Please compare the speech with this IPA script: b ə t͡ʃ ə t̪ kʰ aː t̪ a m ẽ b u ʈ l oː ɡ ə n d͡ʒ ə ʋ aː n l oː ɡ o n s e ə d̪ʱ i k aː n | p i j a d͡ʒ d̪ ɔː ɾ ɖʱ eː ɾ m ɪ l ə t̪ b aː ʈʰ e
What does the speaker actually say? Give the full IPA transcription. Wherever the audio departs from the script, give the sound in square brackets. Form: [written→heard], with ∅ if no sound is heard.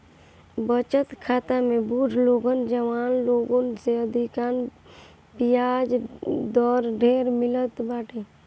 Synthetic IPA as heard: b ə t͡ʃ ə t̪ kʰ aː t̪ a m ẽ b u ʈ l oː ɡ ə n d͡ʒ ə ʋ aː n l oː ɡ o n s e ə d̪ʱ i k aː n | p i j a d͡ʒ d̪ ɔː ɾ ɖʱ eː ɾ m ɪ l ə t̪ b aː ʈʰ e